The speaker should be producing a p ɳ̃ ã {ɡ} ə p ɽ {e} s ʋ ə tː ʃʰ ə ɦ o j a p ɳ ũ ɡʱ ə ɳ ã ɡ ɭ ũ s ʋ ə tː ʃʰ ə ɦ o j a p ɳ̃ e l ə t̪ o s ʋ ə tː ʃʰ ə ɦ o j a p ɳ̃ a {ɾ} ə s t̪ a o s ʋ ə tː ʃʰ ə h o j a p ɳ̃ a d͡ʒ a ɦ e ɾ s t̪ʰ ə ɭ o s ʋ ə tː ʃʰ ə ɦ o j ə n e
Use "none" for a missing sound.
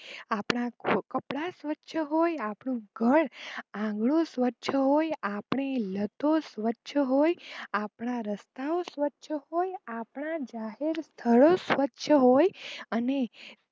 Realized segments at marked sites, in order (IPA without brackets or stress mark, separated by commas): k, a, ɾ